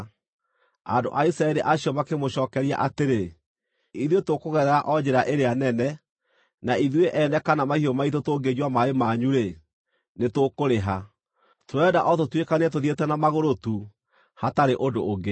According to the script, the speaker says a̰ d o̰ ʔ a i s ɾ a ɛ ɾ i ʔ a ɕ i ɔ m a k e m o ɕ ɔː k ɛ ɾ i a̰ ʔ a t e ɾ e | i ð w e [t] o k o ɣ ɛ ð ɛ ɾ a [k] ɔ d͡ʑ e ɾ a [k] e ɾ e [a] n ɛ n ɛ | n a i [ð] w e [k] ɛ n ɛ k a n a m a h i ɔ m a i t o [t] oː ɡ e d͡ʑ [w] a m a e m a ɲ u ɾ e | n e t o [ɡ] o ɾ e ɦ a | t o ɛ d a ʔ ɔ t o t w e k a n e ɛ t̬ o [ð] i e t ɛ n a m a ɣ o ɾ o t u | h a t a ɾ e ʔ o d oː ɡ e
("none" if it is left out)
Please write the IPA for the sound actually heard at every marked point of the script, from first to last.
t, ʔ, ʔ, a, ð, ʔ, t, w, k, ð

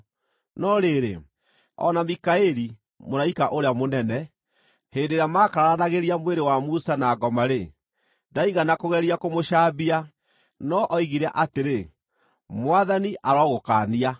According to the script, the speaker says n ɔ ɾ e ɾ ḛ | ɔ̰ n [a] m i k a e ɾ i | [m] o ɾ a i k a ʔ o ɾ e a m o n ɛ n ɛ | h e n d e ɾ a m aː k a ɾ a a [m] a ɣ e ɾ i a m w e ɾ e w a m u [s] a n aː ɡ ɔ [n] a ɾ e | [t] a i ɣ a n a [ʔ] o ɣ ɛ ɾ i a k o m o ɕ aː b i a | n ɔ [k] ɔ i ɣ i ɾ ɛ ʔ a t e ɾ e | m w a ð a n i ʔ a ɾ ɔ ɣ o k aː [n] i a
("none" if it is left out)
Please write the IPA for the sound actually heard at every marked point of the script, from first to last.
a, m, n, s, m, d, k, ʔ, n

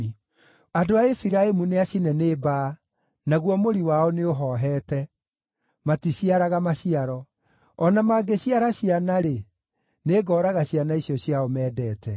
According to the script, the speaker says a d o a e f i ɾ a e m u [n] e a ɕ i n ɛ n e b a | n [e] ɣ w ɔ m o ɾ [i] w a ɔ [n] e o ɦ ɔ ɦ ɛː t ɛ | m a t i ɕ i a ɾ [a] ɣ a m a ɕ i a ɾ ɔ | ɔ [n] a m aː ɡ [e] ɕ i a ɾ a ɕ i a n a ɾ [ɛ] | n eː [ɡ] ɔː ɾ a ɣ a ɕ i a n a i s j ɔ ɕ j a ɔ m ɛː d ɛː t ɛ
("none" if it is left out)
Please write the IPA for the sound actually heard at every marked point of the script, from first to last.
n, a, i, n, a, n, e, e, ɡ

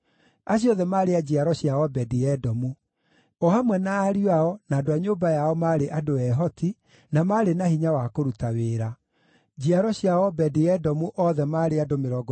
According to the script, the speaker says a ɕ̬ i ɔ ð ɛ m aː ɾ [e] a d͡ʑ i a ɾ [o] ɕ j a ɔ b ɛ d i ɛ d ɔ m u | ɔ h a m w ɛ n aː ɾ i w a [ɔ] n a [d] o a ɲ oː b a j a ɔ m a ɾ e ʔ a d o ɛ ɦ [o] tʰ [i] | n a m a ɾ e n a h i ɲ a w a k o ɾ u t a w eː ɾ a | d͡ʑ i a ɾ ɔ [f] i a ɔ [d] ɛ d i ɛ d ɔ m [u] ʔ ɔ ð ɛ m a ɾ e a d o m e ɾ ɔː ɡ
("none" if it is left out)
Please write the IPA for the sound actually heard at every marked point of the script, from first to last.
e, ɔ, ɔ, d, ɔ, i, ɕ, b, u

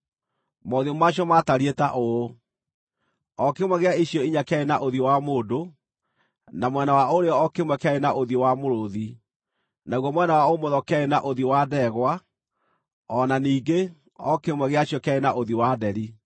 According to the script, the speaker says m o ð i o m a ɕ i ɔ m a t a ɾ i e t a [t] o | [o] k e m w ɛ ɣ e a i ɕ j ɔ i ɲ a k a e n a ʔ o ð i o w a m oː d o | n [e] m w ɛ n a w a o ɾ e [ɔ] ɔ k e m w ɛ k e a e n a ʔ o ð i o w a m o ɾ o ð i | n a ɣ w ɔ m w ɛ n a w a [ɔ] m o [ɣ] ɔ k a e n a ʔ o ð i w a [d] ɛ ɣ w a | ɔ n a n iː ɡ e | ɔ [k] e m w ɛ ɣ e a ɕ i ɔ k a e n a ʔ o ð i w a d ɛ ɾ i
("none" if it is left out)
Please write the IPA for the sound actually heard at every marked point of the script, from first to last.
ʔ, ɔ, a, ɔ, o, ð, d, k

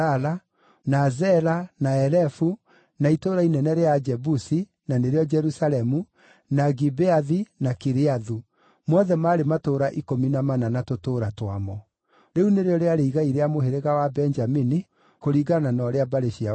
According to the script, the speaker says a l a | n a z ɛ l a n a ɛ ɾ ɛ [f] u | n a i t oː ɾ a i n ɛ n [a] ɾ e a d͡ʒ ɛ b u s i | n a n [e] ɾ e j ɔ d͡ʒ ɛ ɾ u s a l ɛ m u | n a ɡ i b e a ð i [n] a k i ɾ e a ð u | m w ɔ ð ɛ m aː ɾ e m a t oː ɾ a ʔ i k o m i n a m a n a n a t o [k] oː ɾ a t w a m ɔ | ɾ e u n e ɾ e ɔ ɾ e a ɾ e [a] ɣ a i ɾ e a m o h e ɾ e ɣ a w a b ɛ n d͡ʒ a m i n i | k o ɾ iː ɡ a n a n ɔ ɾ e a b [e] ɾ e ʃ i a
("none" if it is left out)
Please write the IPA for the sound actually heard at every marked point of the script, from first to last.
f, ɛ, e, n, t, i, a

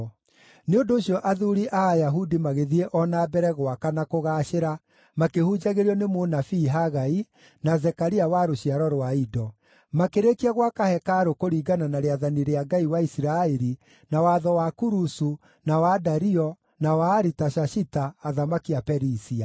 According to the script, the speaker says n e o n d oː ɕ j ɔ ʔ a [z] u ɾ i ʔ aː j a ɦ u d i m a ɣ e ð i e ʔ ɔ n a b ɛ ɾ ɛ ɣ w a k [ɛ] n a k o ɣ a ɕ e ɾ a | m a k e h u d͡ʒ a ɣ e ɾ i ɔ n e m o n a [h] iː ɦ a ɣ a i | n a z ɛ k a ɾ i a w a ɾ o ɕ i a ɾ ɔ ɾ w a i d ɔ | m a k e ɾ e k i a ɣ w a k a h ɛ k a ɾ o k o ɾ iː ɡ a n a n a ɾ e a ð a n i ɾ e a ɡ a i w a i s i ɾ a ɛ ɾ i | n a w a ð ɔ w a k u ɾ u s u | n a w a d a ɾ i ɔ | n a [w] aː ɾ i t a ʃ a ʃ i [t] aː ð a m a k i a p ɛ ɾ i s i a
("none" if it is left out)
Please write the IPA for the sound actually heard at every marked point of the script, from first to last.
ð, a, f, w, t

